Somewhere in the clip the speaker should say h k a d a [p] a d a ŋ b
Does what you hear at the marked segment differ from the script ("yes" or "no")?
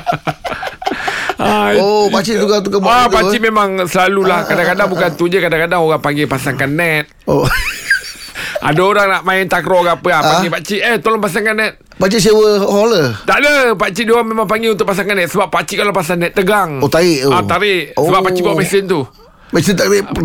yes